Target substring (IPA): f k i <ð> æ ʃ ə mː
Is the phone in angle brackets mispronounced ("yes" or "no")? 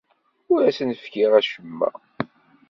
yes